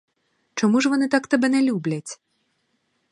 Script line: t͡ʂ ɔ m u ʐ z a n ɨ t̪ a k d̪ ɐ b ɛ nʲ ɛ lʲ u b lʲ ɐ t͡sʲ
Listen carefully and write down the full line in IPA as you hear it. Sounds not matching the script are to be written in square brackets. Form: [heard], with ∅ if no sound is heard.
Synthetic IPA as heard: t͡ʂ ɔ m u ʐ [v] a n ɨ t̪ a k [t̪] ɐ b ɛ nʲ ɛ lʲ u b lʲ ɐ t͡sʲ

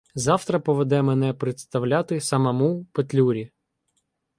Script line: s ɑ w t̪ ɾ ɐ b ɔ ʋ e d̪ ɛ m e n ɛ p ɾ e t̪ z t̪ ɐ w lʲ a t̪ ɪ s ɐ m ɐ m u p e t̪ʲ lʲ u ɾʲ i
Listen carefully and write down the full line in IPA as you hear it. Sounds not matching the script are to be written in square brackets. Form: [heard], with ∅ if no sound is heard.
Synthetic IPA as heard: [z] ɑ w t̪ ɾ ɐ [p] ɔ ʋ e d̪ ɛ m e n ɛ p ɾ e t̪ [s] t̪ ɐ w lʲ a t̪ ɪ s ɐ m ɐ m u p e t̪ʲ lʲ u ɾʲ i

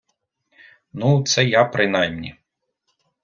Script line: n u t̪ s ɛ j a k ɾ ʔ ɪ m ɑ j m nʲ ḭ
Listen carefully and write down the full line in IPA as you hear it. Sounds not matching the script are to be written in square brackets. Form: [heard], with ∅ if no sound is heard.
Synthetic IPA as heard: n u t̪ s ɛ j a [p] ɾ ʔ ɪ [n] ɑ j m nʲ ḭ

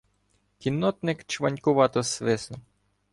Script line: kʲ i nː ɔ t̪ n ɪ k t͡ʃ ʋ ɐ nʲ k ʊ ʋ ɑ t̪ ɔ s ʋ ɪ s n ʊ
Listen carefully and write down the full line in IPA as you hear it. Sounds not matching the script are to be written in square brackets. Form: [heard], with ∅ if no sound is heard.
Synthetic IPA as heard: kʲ i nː ɔ t̪ n ɪ k t͡ʃ ʋ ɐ nʲ k ʊ ʋ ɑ t̪ ɔ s ʋ ɪ s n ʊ

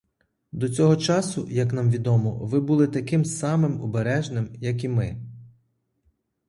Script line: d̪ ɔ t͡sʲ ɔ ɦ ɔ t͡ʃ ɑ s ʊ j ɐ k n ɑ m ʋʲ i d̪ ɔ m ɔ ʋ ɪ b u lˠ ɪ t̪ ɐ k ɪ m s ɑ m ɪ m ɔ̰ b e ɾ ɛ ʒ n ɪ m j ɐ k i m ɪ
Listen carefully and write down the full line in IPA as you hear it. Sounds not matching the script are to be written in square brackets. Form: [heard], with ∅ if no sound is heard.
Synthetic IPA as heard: d̪ ɔ t͡sʲ ɔ ɦ ɔ t͡ʃ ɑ s ʊ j ɐ k n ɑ m ʋʲ i d̪ ɔ m ɔ ʋ ɪ b u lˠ ɪ t̪ ɐ k ɪ m s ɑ m ɪ m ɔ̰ b e ɾ ɛ ʒ n ɪ m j ɐ k i m ɪ

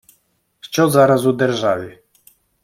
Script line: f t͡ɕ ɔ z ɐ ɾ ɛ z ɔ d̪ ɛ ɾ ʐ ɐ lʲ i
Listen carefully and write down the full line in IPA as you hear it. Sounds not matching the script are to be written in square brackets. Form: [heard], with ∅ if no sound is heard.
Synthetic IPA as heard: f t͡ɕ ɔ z [a] ɾ [a] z [u] d̪ ɛ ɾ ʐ [a] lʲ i

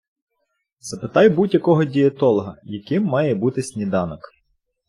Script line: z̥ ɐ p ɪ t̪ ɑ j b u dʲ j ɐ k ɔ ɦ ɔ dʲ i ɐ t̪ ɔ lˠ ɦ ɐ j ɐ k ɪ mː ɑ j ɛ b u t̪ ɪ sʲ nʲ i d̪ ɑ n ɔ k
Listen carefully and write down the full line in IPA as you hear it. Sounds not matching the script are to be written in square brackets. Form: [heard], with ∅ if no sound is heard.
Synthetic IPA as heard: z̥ ɐ p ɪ t̪ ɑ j b u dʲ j ɐ k ɔ ɦ ɔ dʲ i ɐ t̪ ɔ lˠ ɦ ɐ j ɐ k ɪ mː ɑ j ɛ b u t̪ ɪ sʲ nʲ i d̪ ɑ n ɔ k

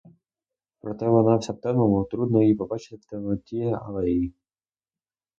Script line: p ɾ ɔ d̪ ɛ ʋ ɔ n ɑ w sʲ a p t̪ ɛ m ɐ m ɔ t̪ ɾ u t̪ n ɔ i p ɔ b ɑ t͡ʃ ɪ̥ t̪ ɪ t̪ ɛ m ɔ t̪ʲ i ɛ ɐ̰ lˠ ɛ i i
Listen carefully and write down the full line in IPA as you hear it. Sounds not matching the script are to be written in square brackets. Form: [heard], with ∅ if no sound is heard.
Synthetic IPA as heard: p ɾ ɔ [t̪] ɛ ʋ ɔ n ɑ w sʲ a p t̪ ɛ m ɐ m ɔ t̪ ɾ u [d̪] n ɔ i p ɔ b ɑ t͡ʃ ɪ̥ t̪ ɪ t̪ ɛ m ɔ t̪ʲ i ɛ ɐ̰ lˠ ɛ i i

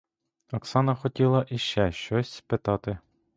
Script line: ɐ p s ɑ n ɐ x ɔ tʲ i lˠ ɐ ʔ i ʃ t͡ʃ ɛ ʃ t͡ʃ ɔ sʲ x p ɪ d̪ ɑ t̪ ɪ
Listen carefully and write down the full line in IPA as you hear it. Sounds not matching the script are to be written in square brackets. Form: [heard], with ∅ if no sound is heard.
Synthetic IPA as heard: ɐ [k] s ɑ n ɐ x ɔ tʲ i lˠ ɐ ʔ i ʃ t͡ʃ ɛ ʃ t͡ʃ ɔ sʲ [s] p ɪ [t̪] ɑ t̪ ɪ

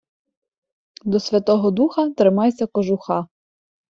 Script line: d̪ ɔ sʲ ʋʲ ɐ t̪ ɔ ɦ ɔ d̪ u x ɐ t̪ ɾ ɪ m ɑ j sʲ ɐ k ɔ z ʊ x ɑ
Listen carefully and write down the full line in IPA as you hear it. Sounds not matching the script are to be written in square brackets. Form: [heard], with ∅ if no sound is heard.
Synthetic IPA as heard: d̪ ɔ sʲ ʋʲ ɐ t̪ ɔ ɦ ɔ d̪ u x ɐ t̪ ɾ ɪ m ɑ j sʲ ɐ k ɔ [ʒ] ʊ x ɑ

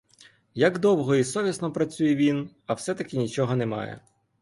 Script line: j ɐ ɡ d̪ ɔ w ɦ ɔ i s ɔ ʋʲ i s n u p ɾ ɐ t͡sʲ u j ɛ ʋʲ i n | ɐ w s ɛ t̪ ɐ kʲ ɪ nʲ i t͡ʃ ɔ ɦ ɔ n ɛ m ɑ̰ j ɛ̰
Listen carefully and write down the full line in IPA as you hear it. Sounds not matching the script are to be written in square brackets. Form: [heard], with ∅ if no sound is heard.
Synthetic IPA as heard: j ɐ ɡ d̪ ɔ w ɦ ɔ i s ɔ ʋʲ i s n [ɔ] p ɾ ɐ t͡sʲ u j ɛ ʋʲ i n | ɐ w s ɛ t̪ ɐ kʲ ɪ nʲ i t͡ʃ ɔ ɦ ɔ n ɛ m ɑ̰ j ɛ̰

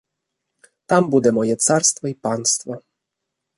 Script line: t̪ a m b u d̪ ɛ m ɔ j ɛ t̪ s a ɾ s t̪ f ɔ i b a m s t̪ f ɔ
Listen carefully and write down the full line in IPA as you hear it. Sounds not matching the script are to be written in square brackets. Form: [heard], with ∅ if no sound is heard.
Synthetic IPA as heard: t̪ a m b u d̪ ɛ m ɔ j ɛ t̪ s a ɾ s t̪ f ɔ i [p] a [n] s t̪ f ɔ

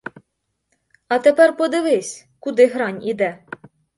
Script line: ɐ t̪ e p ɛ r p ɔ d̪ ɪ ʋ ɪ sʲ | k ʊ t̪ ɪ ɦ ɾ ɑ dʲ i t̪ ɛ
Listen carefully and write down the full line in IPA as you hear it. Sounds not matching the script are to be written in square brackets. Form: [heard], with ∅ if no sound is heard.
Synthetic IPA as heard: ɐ t̪ e p ɛ r p ɔ d̪ ɪ ʋ ɪ sʲ | k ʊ [d̪] ɪ ɦ ɾ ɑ [nʲ] i [d̪] ɛ

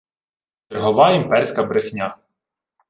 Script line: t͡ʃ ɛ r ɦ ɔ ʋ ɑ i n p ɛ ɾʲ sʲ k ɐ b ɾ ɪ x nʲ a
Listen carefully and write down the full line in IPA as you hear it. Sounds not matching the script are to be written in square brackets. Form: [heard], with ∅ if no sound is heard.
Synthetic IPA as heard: t͡ʃ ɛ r ɦ ɔ ʋ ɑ i [m] p ɛ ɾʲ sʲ k ɐ b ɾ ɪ x nʲ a

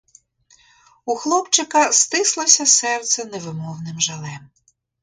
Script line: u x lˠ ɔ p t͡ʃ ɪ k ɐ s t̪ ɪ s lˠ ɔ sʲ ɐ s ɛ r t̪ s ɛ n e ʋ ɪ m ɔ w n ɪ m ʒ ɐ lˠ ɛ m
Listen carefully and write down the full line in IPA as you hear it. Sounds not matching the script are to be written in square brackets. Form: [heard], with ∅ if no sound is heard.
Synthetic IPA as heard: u x lˠ ɔ p t͡ʃ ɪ k ɐ s t̪ ɪ s lˠ ɔ sʲ ɐ s ɛ r t̪ s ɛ n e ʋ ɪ m ɔ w n ɪ m ʒ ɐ lˠ ɛ m

